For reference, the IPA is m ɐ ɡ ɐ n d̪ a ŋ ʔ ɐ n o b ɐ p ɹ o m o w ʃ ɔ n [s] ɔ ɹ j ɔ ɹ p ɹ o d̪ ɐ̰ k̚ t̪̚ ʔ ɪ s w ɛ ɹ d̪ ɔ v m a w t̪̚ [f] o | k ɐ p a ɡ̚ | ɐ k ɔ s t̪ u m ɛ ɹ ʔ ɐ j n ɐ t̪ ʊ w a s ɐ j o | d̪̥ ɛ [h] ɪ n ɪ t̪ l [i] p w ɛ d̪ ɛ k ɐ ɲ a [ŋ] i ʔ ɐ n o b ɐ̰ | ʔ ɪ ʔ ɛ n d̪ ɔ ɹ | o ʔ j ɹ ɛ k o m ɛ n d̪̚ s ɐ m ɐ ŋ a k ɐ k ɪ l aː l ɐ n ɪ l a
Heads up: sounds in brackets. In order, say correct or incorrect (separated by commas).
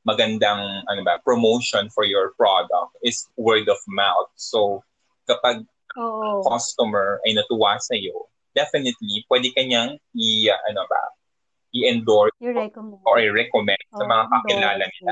incorrect, incorrect, incorrect, correct, correct